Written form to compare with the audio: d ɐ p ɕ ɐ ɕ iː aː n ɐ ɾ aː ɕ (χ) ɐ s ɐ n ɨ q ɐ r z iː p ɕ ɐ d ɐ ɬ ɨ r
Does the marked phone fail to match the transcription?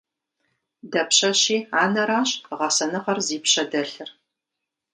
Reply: yes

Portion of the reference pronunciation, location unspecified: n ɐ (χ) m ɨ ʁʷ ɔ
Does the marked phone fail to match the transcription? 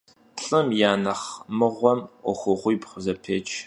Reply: no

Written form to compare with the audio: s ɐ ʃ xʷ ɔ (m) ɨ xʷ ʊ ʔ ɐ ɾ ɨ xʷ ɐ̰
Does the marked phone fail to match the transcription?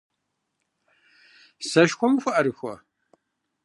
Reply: no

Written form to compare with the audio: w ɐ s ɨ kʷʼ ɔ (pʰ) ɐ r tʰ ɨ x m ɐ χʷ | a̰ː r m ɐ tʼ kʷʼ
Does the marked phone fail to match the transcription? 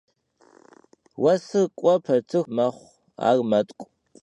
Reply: no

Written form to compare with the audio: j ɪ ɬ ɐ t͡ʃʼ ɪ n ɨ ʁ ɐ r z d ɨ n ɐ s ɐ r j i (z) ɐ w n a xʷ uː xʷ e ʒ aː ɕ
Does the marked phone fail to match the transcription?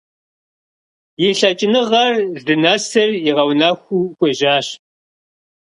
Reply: yes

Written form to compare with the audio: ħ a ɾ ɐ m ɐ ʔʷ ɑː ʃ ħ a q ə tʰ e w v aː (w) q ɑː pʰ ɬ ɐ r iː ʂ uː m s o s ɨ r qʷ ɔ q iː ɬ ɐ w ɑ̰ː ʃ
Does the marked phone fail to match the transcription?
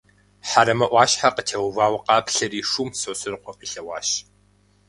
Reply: no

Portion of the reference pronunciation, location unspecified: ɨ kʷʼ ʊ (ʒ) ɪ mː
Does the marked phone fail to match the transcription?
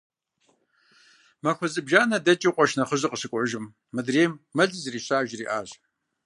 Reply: no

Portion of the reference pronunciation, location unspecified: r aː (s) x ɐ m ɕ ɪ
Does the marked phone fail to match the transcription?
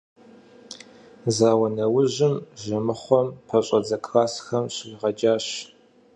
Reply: no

